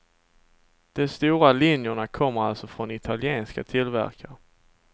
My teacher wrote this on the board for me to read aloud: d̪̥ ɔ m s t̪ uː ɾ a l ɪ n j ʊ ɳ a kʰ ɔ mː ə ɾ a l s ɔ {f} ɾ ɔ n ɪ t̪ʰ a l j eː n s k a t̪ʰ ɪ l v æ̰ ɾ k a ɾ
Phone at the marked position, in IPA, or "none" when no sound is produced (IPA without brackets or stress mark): f